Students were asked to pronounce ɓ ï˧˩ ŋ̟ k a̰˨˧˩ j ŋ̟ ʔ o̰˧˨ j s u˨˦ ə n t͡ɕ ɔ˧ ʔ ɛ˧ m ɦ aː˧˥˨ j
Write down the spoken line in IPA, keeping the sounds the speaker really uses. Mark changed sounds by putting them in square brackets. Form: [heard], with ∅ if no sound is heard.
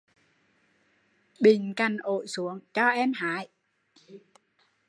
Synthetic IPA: ɓ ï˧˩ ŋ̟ k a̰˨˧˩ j ŋ̟ ʔ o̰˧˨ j s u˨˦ ə [ŋ] t͡ɕ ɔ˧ ʔ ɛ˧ m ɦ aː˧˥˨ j

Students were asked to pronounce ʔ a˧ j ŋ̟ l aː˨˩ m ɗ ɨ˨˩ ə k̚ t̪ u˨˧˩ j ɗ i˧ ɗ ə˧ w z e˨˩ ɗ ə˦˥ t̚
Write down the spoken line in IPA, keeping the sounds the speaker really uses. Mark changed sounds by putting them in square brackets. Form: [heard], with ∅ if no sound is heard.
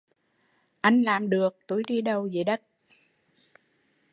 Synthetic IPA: ʔ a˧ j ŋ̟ l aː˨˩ m ɗ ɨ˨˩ ə k̚ t̪ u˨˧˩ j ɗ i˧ ɗ ə˧ w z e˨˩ ɗ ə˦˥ t̚

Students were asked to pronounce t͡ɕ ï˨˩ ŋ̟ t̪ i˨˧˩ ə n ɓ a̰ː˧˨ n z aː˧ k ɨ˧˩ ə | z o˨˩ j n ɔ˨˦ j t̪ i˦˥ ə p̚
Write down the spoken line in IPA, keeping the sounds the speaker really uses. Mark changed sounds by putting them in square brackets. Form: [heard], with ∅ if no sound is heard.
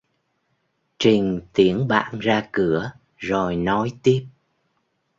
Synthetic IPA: t͡ɕ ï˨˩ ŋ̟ t̪ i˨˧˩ ə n ɓ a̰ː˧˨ n z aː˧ k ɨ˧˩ ə | z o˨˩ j n ɔ˨˦ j t̪ i˦˥ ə p̚

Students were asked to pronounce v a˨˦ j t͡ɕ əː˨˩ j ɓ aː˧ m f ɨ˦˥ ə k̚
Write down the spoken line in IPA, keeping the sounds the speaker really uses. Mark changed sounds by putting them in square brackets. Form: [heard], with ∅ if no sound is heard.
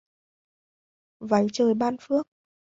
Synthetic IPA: v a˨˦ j t͡ɕ əː˨˩ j ɓ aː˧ [n] f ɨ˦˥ ə k̚

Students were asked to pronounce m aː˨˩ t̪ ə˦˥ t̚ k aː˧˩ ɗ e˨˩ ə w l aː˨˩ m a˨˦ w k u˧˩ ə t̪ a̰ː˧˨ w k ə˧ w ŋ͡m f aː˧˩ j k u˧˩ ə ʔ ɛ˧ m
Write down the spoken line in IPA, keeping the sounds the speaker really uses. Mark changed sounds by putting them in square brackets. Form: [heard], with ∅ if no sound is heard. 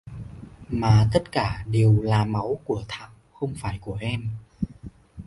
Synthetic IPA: m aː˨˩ t̪ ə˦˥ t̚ k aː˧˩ ɗ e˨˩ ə w l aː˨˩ m a˨˦ w k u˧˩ ə [t̪ʰ] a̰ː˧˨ w [x] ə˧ w ŋ͡m f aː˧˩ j k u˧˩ ə ʔ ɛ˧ m

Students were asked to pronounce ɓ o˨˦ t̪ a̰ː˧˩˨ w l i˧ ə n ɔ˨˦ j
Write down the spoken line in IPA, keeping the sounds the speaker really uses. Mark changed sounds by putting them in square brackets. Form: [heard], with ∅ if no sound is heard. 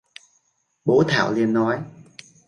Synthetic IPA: ɓ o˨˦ [t̪ʰ] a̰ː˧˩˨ w l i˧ ə [nː] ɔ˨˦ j

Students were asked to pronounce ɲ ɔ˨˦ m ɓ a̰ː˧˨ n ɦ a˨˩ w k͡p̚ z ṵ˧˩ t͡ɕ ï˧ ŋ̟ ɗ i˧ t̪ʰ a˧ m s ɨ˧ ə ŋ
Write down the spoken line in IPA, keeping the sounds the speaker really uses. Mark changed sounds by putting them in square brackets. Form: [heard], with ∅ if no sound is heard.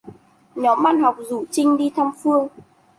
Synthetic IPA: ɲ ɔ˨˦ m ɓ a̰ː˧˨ n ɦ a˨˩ w k͡p̚ z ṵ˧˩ t͡ɕ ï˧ ŋ̟ ɗ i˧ t̪ʰ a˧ m [f] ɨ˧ ə ŋ

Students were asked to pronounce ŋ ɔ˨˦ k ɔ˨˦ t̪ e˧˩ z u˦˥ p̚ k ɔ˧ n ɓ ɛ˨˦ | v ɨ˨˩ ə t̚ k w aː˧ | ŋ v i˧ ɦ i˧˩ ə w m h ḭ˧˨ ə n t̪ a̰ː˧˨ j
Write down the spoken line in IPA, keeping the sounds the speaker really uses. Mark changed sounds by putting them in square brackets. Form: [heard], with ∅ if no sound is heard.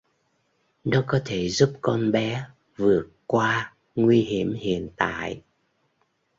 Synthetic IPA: [n] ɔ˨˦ k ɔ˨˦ [t̪ʰ] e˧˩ z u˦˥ p̚ k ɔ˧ n ɓ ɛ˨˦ | v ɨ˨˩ ə t̚ k w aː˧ | ŋ [w] i˧ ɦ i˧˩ ə [∅] m h ḭ˧˨ ə n t̪ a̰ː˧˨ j

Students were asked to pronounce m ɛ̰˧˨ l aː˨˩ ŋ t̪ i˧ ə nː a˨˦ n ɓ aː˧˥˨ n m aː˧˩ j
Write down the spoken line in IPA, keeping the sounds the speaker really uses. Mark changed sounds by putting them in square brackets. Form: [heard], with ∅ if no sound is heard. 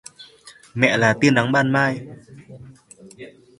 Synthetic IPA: m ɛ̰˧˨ l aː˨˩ [∅] t̪ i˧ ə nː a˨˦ [ŋ] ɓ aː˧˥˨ n m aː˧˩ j

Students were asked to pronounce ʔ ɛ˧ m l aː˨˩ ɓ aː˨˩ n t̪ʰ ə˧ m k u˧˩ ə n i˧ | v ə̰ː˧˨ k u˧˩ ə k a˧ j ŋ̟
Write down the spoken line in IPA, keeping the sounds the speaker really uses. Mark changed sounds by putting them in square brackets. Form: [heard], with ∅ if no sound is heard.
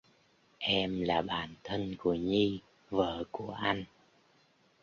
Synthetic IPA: ʔ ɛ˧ m l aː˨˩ ɓ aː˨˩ n t̪ʰ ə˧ [n] k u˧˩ ə [ɲ] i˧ | v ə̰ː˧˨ k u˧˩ ə [ʔ] a˧ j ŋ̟

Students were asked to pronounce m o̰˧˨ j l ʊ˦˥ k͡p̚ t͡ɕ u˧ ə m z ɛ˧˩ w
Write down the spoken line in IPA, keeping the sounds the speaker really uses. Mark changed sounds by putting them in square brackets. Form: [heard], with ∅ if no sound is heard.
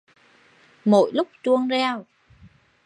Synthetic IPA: m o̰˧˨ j l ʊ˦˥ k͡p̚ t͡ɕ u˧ ə [ŋ] z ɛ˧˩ w

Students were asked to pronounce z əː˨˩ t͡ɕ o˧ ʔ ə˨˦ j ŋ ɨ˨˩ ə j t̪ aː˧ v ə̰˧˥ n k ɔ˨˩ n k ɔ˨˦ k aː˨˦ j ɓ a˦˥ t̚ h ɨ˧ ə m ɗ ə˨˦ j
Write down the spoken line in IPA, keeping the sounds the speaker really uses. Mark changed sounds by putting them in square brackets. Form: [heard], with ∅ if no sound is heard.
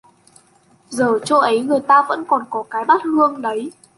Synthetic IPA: z əː˨˩ t͡ɕ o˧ ʔ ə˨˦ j ŋ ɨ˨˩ ə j t̪ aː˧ v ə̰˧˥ n k ɔ˨˩ n k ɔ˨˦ k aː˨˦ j ɓ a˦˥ t̚ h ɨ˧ ə [ŋ] ɗ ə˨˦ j

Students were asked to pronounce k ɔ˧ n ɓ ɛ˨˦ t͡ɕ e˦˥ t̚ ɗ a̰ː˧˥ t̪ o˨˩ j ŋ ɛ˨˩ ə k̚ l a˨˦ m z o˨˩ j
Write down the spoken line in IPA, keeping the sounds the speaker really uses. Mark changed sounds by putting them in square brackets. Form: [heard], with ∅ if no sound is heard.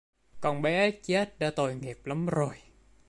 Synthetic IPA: k [ɔ˨˩] n ɓ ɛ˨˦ t͡ɕ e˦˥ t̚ ɗ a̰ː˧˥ t̪ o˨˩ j ŋ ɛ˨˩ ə [p̚] l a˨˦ m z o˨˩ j

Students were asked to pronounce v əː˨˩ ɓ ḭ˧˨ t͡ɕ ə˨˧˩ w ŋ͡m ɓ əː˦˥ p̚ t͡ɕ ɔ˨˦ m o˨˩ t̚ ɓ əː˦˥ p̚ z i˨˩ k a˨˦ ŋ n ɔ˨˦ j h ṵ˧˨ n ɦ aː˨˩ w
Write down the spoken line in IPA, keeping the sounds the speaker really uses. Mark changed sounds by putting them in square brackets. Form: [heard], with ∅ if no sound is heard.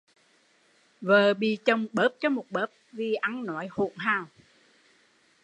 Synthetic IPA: v əː˨˩ ɓ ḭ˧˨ t͡ɕ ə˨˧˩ w ŋ͡m ɓ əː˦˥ p̚ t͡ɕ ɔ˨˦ m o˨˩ t̚ ɓ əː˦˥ p̚ [v] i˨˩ [ʔ] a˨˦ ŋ n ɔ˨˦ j h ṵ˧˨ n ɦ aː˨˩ w

